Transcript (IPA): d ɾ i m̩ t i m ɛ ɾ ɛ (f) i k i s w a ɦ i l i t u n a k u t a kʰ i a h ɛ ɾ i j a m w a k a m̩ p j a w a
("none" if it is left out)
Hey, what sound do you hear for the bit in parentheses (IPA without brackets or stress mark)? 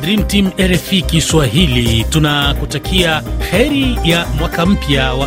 f